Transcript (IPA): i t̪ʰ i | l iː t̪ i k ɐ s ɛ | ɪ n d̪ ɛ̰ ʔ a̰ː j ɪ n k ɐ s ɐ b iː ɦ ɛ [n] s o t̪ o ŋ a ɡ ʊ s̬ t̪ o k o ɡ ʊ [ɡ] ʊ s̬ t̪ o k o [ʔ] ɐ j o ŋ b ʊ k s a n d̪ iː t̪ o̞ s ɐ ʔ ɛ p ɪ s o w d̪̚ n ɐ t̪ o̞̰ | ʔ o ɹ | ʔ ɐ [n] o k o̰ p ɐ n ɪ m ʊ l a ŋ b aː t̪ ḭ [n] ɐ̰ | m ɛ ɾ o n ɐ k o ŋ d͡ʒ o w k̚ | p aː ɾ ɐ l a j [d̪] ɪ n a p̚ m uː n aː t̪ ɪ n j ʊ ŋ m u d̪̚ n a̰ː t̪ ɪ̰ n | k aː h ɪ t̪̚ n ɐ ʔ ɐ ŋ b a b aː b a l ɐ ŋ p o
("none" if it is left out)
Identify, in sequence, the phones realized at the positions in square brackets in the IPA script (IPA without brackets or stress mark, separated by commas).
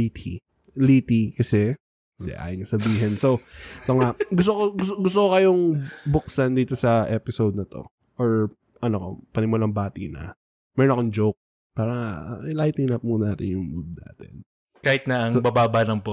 n, ɡ, k, n, n, t̪